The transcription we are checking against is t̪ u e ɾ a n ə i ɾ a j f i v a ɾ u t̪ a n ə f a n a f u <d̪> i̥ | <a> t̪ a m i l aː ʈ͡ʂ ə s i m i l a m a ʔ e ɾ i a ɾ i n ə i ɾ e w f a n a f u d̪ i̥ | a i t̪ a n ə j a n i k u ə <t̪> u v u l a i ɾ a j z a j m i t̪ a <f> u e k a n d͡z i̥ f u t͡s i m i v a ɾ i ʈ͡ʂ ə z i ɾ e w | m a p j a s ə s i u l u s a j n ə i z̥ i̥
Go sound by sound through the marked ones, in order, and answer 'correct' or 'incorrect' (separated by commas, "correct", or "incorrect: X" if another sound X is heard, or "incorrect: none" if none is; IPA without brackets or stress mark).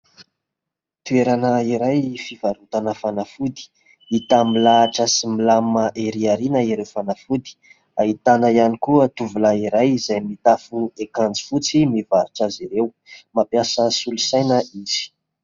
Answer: correct, incorrect: i, correct, correct